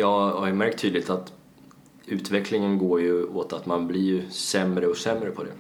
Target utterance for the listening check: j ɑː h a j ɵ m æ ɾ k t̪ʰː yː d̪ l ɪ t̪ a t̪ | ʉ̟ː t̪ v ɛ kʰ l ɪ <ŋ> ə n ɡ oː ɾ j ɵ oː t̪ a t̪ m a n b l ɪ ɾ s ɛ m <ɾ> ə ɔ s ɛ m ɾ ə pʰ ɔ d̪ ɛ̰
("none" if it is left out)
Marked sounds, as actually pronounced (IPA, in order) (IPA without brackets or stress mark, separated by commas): ŋ, ɾ